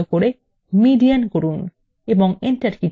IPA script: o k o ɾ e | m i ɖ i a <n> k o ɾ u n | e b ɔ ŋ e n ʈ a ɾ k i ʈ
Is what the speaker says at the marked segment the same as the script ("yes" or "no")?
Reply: yes